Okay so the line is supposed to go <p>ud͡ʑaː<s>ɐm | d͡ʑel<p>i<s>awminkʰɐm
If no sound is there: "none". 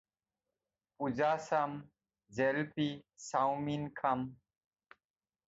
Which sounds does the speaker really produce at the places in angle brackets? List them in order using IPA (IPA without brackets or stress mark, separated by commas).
p, s, p, s